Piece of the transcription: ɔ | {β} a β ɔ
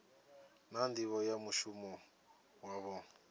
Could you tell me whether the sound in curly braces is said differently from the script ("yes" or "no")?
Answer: yes